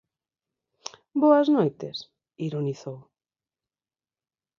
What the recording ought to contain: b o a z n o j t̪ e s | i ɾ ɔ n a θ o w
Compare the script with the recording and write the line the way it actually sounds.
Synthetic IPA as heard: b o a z n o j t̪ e s | i ɾ o n i θ o w